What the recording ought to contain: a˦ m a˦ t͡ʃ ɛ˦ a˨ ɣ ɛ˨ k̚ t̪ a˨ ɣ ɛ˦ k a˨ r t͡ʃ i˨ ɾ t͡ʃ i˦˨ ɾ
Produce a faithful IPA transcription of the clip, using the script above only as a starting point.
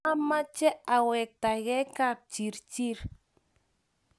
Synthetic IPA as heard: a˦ m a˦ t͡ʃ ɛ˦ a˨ w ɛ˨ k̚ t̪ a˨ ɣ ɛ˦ k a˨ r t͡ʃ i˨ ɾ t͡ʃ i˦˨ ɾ